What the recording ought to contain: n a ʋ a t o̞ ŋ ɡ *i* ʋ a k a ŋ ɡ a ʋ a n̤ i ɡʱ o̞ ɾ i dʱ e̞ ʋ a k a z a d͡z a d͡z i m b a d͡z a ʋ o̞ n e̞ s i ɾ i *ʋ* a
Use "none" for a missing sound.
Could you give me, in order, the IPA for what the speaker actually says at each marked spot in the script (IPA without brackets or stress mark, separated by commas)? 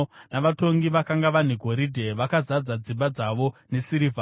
i, v